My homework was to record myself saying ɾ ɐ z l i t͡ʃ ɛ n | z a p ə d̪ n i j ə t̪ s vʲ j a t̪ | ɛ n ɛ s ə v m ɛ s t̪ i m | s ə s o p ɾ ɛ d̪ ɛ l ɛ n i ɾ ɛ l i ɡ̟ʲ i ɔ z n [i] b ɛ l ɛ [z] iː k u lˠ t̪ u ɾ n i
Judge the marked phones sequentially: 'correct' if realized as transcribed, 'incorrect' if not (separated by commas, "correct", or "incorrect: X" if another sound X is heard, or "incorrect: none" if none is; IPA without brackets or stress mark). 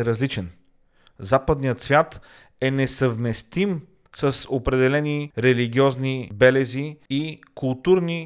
correct, correct